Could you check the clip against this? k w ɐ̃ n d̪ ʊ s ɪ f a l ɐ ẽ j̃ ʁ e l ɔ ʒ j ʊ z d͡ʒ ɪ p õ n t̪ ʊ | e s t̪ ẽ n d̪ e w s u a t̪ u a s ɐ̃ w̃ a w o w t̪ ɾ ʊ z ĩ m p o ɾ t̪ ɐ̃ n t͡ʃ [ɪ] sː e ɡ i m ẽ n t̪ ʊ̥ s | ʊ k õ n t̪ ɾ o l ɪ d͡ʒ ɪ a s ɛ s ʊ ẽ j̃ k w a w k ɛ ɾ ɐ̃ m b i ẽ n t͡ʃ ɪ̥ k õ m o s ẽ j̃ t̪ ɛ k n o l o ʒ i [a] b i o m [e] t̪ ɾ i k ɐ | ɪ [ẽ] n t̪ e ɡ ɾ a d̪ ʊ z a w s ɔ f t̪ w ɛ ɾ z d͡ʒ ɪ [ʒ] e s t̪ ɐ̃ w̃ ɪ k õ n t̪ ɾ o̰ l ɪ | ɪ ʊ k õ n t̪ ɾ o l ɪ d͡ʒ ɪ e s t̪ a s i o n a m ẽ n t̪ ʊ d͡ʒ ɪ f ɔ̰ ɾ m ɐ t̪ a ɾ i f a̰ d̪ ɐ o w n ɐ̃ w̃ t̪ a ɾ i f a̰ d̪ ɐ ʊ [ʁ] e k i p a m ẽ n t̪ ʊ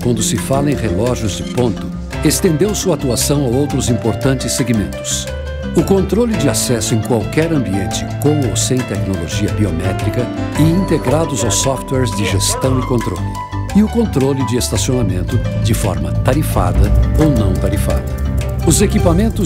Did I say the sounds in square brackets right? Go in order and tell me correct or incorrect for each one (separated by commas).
correct, incorrect, incorrect, incorrect, correct, incorrect